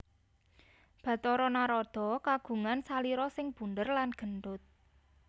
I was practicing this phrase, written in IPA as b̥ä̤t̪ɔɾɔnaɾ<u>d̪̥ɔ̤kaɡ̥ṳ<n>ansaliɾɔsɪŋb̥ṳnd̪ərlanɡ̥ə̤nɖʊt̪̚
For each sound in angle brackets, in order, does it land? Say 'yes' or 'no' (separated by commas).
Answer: no, no